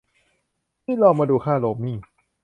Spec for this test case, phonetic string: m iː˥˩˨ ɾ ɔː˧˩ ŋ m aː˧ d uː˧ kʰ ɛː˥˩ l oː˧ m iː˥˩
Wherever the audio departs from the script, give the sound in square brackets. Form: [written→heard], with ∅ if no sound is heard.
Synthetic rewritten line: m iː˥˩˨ [ɾ→l] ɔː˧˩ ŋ m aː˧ d uː˧ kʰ [ɛː˥˩→aː˥˩] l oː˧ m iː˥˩